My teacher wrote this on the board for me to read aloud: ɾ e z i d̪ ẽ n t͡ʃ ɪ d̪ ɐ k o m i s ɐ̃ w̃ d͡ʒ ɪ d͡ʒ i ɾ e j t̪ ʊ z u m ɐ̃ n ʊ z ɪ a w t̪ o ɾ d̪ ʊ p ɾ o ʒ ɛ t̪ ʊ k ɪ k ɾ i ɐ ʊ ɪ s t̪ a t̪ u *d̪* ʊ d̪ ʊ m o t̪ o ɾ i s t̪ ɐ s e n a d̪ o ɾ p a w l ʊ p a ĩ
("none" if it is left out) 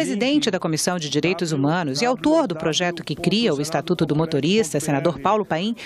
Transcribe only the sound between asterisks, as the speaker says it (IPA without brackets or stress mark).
t̪